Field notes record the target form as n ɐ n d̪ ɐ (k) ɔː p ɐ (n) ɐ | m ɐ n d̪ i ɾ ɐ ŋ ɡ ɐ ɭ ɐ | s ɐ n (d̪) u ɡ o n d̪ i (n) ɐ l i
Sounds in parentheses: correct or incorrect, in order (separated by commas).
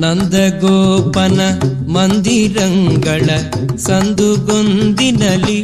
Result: incorrect, correct, correct, correct